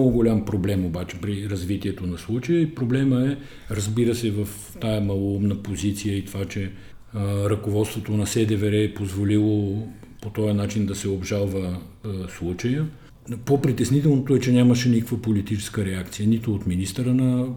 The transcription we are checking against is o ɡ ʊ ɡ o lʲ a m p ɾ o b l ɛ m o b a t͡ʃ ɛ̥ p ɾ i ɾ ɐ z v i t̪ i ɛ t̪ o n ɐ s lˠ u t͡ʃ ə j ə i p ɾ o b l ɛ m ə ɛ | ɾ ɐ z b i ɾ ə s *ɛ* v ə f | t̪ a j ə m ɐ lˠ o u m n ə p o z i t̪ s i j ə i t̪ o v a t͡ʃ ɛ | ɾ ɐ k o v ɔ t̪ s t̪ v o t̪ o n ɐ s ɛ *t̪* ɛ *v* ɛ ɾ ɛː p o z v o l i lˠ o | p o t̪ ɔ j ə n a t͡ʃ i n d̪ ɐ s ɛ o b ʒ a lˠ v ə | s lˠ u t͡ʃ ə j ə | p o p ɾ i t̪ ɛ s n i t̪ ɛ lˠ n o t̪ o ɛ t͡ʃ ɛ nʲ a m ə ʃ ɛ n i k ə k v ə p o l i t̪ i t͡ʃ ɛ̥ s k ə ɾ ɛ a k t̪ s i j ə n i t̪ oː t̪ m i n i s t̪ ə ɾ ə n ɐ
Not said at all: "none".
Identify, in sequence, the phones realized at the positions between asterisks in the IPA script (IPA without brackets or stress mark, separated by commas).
ɛ, d̪, v